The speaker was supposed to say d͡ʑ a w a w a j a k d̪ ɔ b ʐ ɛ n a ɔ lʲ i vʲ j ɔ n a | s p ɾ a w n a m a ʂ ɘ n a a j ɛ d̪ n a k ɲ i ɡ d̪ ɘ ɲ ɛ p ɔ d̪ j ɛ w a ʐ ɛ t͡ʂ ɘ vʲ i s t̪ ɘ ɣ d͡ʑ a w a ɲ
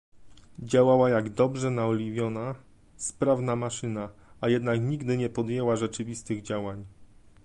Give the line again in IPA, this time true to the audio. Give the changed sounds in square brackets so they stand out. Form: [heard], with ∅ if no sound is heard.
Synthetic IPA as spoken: d͡ʑ a w a w a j a [ɡ] d̪ ɔ b ʐ ɛ n a ɔ lʲ i vʲ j ɔ n a | s p ɾ a [v] n a m a ʂ ɘ n a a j ɛ d̪ n a k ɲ i ɡ d̪ ɘ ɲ ɛ p ɔ d̪ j ɛ w a ʐ ɛ t͡ʂ ɘ vʲ i s t̪ ɘ ɣ d͡ʑ a w a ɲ